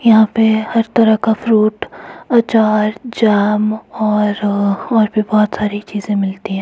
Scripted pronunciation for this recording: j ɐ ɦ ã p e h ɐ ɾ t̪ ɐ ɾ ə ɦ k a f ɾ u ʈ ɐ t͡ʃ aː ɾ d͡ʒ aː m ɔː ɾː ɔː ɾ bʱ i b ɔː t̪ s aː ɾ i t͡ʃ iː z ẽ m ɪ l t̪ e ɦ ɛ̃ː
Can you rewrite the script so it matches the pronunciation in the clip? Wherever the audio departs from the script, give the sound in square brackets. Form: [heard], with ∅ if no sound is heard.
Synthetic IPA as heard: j ɐ ɦ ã p e h ɐ ɾ t̪ ɐ ɾ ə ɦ k a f ɾ [uː] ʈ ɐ t͡ʃ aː ɾ d͡ʒ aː m ɔː [ɾ] ɔː ɾ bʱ i b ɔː t̪ s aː ɾ i t͡ʃ iː z ẽ m ɪ l t̪ [i] ɦ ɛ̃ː

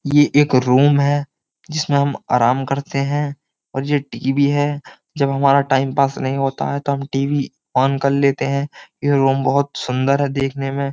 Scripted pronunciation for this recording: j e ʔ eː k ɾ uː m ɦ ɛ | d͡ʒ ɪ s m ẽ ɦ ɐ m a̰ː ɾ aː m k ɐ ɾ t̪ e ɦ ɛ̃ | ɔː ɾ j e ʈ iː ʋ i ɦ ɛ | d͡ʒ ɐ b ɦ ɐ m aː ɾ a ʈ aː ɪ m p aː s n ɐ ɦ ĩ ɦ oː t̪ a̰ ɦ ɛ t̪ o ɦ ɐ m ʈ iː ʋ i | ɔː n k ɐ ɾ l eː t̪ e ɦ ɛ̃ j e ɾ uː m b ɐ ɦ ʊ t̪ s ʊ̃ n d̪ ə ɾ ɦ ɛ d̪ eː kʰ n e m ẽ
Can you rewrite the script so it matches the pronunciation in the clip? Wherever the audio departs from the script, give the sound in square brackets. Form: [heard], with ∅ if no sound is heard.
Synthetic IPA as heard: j e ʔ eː k ɾ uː m ɦ ɛ | d͡ʒ ɪ s m ẽ ɦ ɐ m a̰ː ɾ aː m k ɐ ɾ t̪ e ɦ ɛ̃ | ɔː ɾ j e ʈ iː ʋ i ɦ ɛ | d͡ʒ ɐ b ɦ ɐ m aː ɾ a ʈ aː ɪ m p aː s n ɐ ɦ ĩ ɦ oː t̪ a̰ ɦ ɛ t̪ o ɦ ɐ m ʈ iː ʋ i | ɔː n k ɐ ɾ l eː t̪ e ɦ ɛ̃ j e ɾ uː m b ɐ ɦ ʊ t̪ s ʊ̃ n d̪ ə ɾ ɦ ɛ d̪ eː kʰ n e m ẽ

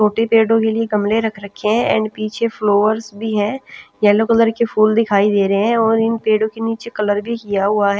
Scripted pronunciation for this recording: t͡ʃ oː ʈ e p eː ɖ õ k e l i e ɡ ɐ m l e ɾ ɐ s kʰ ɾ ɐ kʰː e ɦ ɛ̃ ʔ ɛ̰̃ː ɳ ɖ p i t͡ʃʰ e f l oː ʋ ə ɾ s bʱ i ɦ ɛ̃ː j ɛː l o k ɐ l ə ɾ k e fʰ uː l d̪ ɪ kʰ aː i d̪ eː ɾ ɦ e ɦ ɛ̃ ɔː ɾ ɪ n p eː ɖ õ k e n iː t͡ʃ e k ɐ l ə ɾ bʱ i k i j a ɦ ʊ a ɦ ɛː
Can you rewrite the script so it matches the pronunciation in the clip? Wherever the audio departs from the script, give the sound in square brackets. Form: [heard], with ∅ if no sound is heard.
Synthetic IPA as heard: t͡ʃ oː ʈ e p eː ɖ õ k e l i e ɡ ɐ m l e ɾ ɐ [∅] kʰ ɾ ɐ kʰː e ɦ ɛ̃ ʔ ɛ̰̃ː ɳ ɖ p [iː] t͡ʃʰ e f l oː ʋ ə ɾ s bʱ i ɦ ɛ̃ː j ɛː l o k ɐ l ə ɾ k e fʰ uː l d̪ ɪ kʰ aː i d̪ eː ɾ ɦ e ɦ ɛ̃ ɔː ɾ ɪ n p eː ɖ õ k e n iː t͡ʃ e k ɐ l ə ɾ bʱ i k i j a ɦ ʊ a ɦ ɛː

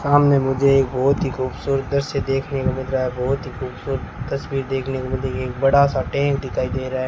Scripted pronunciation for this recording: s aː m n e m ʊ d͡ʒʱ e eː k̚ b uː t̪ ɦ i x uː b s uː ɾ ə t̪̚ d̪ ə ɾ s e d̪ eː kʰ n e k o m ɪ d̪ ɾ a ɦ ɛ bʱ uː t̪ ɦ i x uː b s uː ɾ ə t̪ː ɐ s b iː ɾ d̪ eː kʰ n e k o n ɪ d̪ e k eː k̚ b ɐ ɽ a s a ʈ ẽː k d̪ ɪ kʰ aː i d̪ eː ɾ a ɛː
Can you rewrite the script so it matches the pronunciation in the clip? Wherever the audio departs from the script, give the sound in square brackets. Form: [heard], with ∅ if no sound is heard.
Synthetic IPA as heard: s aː m n e m ʊ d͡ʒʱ e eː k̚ b [ɔː] t̪ ɦ i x uː b s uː ɾ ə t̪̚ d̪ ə ɾ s e d̪ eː kʰ n e k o m ɪ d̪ ɾ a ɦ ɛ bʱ [ɔː] t̪ ɦ i x uː b s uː ɾ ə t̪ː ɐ s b iː ɾ d̪ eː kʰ n e k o [m] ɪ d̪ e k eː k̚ b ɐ ɽ a s a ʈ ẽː k d̪ ɪ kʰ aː i d̪ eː ɾ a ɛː

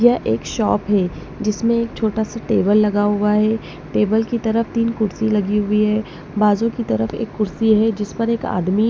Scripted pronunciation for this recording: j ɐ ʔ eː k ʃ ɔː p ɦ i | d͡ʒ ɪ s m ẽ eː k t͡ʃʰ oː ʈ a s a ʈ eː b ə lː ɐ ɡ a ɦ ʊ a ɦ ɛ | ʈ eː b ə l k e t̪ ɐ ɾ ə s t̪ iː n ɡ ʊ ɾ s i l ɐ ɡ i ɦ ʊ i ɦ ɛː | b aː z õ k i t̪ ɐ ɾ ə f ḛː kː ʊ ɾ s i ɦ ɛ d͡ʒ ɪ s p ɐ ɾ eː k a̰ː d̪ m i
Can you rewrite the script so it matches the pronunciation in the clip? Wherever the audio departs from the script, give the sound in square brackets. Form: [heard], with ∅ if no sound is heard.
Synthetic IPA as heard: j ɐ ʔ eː k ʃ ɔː p ɦ [ɛ] | d͡ʒ ɪ s m ẽ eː k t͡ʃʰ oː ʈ a s a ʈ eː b ə lː ɐ ɡ a ɦ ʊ a ɦ ɛ | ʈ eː b ə l k [i] t̪ ɐ ɾ ə [f] t̪ iː n [k] ʊ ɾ s i l ɐ ɡ i ɦ ʊ i ɦ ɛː | b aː z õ k i t̪ ɐ ɾ ə f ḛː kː ʊ ɾ s i ɦ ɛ d͡ʒ ɪ s p ɐ ɾ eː k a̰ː d̪ m i

